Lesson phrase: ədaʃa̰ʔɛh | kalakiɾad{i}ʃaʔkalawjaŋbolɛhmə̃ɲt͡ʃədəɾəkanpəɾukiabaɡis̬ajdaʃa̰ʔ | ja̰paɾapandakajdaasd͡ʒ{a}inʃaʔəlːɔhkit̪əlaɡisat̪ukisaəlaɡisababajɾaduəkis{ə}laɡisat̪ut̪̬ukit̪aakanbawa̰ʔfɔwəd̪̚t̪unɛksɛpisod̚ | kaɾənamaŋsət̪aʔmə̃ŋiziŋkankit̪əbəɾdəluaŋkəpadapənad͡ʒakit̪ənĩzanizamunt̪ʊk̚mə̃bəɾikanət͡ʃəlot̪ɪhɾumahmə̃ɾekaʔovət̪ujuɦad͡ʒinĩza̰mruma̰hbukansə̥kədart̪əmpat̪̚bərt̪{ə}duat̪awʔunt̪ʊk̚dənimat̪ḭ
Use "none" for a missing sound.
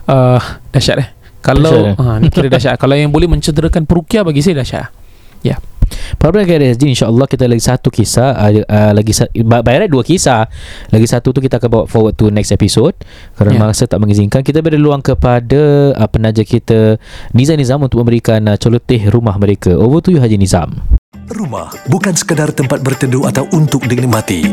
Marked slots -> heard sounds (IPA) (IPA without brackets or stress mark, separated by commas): a, i, a, ə